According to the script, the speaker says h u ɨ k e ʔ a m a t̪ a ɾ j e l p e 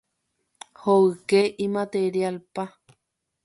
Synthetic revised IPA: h o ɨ k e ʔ i m a t̪ e ɾ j a l p a